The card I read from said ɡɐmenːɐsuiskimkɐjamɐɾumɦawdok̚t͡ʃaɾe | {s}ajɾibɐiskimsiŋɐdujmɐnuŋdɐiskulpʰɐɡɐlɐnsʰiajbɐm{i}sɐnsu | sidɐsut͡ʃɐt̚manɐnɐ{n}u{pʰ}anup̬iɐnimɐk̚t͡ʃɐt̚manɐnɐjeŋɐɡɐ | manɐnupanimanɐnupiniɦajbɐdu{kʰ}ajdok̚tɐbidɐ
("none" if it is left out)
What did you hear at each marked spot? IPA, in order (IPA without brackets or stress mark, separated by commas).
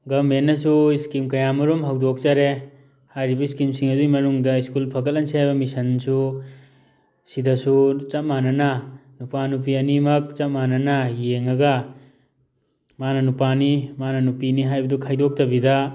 h, i, n, p, kʰ